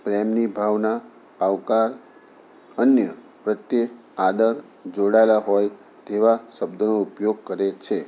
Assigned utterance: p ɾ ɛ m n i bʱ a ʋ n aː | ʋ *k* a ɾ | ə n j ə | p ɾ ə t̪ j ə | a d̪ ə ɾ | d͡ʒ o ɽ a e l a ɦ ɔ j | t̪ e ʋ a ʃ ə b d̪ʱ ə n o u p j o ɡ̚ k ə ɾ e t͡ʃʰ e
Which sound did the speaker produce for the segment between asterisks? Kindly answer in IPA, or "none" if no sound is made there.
k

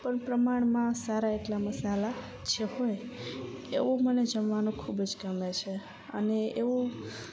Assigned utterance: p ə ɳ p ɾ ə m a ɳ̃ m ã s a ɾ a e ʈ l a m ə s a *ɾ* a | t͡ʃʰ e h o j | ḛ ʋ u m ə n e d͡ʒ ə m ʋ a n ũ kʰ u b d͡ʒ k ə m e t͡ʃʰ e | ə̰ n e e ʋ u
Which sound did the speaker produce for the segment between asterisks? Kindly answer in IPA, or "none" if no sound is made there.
l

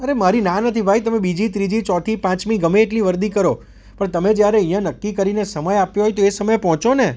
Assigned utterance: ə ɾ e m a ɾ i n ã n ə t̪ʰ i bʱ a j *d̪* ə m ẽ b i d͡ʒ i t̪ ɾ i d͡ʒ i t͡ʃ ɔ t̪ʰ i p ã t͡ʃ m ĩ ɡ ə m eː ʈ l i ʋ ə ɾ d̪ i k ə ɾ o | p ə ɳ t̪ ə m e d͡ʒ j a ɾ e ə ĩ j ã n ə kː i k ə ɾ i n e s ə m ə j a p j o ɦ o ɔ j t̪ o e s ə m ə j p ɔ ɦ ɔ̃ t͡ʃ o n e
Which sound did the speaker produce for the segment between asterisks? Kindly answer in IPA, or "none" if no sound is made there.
t̪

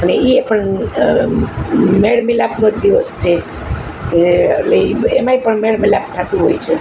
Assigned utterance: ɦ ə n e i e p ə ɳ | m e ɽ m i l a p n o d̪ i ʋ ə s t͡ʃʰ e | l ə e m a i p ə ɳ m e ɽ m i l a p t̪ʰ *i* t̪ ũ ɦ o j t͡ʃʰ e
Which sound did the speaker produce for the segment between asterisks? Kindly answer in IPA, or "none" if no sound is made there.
a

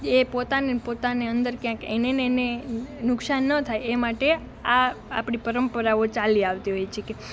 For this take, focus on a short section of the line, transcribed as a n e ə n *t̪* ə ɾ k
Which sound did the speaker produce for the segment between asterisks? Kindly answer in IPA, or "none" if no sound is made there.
d̪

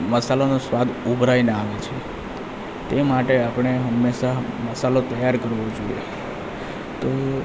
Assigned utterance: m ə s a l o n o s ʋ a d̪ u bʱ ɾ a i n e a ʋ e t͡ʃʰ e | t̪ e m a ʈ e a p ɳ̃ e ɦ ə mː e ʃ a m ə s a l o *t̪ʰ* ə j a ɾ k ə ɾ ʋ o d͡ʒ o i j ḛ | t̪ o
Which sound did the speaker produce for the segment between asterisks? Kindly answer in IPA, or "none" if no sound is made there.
t̪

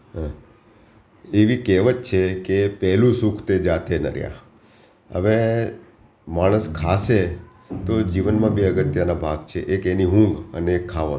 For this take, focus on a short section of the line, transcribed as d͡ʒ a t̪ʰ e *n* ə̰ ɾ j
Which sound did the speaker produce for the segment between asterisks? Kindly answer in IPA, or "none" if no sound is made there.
n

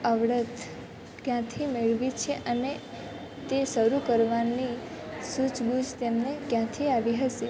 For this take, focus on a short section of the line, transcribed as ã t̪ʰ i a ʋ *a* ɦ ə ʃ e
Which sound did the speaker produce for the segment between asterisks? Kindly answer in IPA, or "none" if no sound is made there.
i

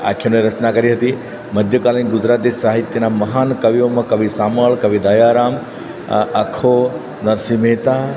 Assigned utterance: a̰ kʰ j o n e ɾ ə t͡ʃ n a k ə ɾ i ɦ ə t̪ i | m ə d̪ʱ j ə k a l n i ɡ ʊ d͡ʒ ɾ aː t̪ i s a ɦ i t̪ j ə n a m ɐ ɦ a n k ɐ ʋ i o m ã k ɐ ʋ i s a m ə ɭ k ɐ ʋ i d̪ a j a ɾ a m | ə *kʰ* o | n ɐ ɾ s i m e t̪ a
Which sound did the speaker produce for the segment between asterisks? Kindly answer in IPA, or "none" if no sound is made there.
kʰ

